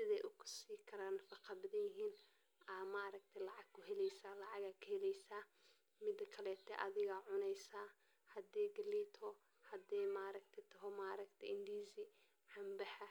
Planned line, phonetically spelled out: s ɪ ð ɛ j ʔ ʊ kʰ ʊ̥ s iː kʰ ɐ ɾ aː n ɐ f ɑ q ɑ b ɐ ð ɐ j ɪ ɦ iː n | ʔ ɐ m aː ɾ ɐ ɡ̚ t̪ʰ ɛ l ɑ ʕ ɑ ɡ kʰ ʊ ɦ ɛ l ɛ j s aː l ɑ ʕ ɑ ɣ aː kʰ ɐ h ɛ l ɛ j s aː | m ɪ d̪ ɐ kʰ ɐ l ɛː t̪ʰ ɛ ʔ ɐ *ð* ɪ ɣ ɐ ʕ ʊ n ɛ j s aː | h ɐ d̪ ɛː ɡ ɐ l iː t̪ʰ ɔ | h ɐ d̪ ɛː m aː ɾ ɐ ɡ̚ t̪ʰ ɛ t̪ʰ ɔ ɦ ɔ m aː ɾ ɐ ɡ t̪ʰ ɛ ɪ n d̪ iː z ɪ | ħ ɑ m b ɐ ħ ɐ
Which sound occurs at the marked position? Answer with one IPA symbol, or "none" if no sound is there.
ð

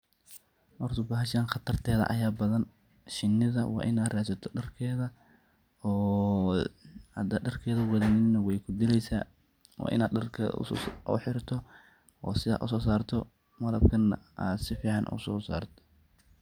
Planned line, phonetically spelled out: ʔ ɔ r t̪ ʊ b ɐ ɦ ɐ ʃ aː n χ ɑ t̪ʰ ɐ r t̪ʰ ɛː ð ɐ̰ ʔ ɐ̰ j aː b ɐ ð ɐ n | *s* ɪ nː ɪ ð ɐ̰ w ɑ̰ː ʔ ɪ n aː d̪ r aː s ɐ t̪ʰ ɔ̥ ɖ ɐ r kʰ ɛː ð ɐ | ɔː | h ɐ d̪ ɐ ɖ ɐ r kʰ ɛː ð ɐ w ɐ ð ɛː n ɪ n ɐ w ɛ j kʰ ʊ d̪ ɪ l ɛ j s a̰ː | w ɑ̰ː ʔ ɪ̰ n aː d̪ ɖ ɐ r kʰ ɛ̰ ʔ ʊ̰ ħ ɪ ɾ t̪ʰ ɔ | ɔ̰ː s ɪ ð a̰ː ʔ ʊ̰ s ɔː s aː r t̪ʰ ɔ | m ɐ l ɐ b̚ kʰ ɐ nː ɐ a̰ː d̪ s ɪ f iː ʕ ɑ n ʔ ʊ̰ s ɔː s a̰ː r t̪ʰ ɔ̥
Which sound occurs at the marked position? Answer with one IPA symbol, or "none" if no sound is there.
ʃ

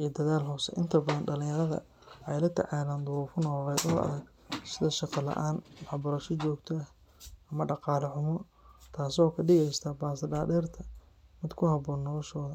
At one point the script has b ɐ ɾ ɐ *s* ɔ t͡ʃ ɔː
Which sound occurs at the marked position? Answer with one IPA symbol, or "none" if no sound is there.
ʃ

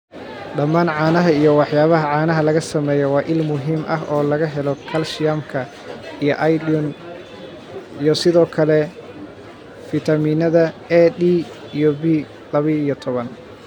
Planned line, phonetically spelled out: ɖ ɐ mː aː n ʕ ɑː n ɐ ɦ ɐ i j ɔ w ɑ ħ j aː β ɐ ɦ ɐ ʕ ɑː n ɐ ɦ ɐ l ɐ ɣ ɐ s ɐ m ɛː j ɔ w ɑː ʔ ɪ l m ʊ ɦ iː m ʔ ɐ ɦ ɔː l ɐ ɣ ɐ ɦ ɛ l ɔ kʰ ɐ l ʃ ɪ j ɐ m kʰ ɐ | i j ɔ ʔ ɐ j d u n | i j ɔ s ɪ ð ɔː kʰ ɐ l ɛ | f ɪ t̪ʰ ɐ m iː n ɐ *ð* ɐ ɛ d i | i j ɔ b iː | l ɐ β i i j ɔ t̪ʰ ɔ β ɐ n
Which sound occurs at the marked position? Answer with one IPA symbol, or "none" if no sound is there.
ð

